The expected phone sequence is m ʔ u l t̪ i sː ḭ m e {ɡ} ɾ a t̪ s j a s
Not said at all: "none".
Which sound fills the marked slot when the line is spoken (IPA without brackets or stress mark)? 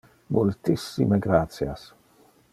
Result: ɡ